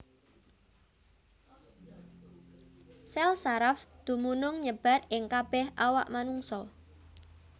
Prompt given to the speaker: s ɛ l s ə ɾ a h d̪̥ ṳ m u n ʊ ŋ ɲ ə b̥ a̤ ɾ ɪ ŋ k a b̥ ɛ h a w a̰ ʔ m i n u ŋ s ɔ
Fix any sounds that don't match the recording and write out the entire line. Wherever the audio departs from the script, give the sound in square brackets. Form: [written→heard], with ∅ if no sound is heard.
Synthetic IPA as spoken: s ɛ l s [ə→a] ɾ a [h→f] d̪̥ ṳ m u n ʊ ŋ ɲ ə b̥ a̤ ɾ ɪ ŋ k a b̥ ɛ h a w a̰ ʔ m [i→a] n u ŋ s ɔ